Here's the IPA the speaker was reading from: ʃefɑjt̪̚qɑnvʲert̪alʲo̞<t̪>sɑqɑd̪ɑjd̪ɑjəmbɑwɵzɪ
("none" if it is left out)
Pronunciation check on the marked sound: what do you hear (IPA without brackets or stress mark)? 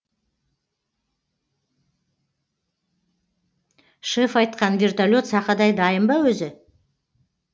t̪